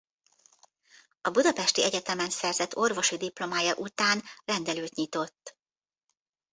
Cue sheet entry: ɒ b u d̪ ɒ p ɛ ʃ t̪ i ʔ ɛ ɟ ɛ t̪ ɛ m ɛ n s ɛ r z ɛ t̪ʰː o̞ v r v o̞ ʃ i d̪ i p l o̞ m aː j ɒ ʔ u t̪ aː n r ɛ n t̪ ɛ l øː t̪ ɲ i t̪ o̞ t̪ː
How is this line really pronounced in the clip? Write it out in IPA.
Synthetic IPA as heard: ɒ b u d̪ ɒ p ɛ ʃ t̪ i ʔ ɛ ɟ ɛ t̪ ɛ m ɛ n s ɛ r z ɛ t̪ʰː o̞ r v o̞ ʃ i d̪ i p l o̞ m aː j ɒ ʔ u t̪ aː n r ɛ n d̪ ɛ l øː t̪ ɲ i t̪ o̞ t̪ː